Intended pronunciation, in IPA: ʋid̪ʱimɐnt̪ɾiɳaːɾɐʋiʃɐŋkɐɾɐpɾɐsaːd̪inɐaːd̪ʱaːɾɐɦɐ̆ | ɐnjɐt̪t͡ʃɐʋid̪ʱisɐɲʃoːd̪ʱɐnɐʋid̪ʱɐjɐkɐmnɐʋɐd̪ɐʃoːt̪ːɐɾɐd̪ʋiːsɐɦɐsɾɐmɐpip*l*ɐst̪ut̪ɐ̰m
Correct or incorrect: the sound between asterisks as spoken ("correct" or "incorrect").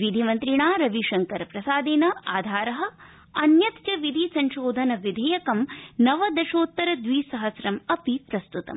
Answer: incorrect